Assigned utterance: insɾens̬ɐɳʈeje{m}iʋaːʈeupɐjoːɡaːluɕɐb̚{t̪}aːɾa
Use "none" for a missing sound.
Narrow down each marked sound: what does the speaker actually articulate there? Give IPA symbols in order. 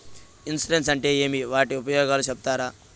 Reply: m, t̪

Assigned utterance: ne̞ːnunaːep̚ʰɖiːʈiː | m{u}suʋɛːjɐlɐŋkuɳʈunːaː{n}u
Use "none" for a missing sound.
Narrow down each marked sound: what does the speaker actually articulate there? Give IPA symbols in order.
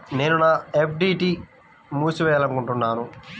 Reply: uː, n

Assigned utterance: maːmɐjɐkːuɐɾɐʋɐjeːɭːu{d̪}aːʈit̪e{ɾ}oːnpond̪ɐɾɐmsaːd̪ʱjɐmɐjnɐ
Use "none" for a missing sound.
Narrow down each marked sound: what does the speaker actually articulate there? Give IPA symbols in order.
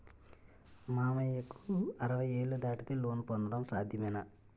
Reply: d̪, l

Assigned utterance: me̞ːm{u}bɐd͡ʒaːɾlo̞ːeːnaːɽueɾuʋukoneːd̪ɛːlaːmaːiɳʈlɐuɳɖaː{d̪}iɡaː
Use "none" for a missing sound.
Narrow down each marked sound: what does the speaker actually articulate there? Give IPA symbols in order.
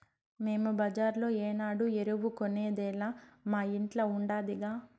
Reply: u, d̪

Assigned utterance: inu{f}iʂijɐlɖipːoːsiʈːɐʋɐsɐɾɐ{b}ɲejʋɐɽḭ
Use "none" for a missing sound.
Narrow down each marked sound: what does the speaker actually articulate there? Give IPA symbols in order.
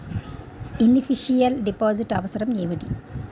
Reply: f, m

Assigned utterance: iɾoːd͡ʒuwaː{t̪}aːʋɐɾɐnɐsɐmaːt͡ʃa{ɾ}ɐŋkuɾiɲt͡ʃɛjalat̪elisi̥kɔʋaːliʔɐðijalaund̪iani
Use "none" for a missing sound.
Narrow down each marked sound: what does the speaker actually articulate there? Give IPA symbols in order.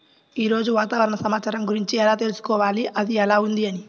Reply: t̪, ɾ

